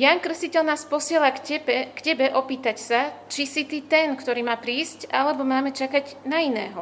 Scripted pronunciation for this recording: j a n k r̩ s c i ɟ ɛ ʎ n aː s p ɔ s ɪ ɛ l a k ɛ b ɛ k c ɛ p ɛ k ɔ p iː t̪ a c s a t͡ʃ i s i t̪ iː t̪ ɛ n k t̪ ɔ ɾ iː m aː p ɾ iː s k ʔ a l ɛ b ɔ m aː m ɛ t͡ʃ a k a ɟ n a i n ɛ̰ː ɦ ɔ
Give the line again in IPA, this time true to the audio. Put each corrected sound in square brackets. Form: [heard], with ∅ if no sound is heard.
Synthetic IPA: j a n k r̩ s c i [c] ɛ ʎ n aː s p ɔ s ɪ ɛ l a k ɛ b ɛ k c ɛ [b] ɛ [ʔ] ɔ p iː t̪ a c s a t͡ʃ i s i t̪ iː t̪ ɛ n k t̪ ɔ ɾ iː m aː p ɾ iː s [c] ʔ a l ɛ b ɔ m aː m ɛ t͡ʃ a k a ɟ n a i n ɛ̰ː ɦ ɔ